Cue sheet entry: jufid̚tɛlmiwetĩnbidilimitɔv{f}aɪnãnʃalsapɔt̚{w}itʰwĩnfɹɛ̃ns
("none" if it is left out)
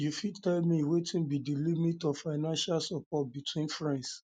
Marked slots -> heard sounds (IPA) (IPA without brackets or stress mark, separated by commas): f, b